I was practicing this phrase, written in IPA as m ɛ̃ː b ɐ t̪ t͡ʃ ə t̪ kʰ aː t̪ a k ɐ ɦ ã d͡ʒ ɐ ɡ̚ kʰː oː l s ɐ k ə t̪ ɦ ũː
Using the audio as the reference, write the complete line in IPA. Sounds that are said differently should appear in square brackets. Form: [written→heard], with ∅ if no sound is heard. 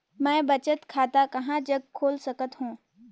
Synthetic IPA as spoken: m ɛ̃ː b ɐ [t̪→∅] t͡ʃ ə t̪ kʰ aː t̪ a k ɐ ɦ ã d͡ʒ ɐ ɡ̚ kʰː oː l s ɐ k ə t̪ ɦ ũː